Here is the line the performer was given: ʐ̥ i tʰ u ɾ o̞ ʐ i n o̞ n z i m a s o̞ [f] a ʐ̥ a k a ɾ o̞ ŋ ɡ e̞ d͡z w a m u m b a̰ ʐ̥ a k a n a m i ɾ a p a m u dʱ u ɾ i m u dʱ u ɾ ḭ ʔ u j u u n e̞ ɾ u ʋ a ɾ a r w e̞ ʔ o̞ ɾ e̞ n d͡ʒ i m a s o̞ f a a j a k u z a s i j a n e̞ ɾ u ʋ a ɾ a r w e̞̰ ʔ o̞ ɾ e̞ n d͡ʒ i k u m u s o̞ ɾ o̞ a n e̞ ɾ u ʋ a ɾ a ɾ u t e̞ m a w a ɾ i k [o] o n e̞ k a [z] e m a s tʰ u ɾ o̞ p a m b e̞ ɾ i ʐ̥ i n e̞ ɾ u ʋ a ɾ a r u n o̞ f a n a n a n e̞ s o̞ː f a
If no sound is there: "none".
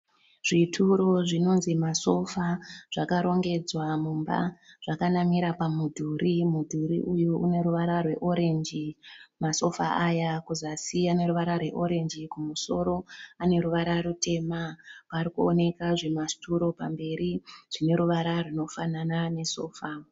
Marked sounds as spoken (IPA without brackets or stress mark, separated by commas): f, u, ʐ